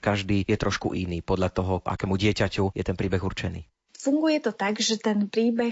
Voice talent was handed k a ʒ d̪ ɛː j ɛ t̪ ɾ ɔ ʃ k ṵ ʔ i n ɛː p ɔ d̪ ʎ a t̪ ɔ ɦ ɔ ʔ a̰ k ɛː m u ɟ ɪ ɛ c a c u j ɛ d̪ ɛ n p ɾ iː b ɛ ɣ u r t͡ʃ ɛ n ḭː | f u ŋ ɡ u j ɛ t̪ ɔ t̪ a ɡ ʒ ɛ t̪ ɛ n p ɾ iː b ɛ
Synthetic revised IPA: k a ʒ d̪ iː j ɛ t̪ ɾ ɔ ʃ k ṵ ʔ i n iː p ɔ d̪ ʎ a t̪ ɔ ɦ ɔ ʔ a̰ k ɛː m u ɟ ɪ ɛ c a c u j ɛ t̪ ɛ n p ɾ iː b ɛ ɣ u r t͡ʃ ɛ n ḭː | f u ŋ ɡ u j ɛ t̪ ɔ t̪ a ɡ ʒ ɛ t̪ ɛ n p ɾ iː b ɛ